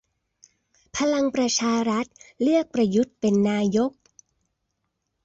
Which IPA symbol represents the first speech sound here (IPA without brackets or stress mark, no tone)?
pʰ